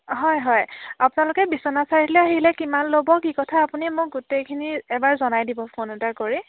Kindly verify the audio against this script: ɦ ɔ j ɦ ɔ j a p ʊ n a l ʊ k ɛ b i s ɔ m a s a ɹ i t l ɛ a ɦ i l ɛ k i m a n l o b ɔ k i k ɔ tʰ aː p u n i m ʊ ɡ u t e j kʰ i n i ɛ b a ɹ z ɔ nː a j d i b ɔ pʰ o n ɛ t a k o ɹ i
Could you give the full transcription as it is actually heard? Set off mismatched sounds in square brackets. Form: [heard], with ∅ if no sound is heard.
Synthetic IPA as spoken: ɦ ɔ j ɦ ɔ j a p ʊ n a l ʊ k ɛ b i s ɔ [n] a s a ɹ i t l ɛ a ɦ i l ɛ k i m a n l o b ɔ k i k ɔ tʰ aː p u n i m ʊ ɡ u t e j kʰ i n i ɛ b a ɹ z ɔ [n] a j d i b ɔ pʰ o n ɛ t a k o ɹ i